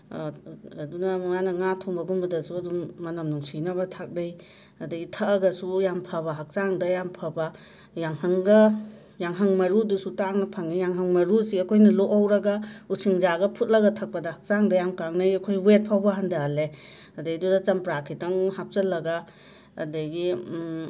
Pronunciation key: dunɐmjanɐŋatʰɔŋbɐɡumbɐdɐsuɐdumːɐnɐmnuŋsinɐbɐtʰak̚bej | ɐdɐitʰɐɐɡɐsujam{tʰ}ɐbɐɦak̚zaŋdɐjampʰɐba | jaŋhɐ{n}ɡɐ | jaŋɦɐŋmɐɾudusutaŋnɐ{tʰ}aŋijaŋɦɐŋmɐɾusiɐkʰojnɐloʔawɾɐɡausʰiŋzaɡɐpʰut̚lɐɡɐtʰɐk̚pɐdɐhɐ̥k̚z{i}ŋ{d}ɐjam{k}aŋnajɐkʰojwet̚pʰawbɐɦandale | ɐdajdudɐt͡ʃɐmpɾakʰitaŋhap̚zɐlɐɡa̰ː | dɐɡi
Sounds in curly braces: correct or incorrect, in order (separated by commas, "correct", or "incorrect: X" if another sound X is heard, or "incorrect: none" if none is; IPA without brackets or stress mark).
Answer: incorrect: pʰ, incorrect: ŋ, incorrect: pʰ, incorrect: a, correct, correct